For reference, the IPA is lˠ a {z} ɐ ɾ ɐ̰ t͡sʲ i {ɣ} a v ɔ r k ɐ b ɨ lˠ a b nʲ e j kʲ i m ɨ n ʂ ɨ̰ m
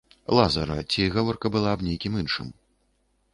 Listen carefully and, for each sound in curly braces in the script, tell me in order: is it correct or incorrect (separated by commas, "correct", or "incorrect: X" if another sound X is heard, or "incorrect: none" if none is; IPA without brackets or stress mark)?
correct, correct